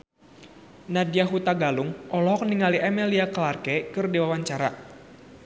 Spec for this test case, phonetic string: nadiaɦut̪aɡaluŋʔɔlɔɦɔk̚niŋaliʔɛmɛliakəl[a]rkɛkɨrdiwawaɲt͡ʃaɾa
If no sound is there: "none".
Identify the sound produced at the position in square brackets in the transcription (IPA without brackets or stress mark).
a